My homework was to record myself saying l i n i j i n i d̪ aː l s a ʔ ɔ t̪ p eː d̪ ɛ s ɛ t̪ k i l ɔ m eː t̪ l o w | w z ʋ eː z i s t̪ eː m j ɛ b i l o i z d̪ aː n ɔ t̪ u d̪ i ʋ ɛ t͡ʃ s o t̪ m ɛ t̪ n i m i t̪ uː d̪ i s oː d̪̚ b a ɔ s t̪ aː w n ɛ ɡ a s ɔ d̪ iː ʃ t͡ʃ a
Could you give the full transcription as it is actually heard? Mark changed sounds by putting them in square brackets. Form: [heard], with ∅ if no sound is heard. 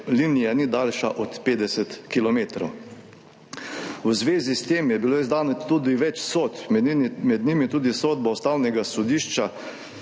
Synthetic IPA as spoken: l i n i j [a] n i d̪ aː l [ʃ] a ʔ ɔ t̪ p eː d̪ ɛ s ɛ t̪ k i l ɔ m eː t̪ [ɾ] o w | w z ʋ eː z i s t̪ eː m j ɛ b i l o i z d̪ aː n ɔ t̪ u d̪ i ʋ ɛ t͡ʃ s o t̪ m ɛ [d̪] n i m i t̪ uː d̪ i s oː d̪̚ b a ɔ s t̪ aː w n ɛ ɡ a s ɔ d̪ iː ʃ t͡ʃ a